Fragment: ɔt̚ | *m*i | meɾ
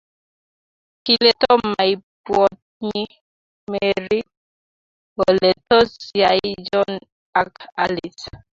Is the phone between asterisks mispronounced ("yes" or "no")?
yes